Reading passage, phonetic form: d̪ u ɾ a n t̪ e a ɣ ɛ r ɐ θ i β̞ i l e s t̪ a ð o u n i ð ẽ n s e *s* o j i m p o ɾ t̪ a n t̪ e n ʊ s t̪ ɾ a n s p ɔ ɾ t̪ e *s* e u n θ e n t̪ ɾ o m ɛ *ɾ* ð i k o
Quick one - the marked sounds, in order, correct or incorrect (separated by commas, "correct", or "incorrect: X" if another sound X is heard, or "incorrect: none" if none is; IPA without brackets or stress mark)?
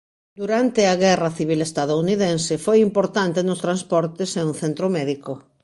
incorrect: f, correct, incorrect: none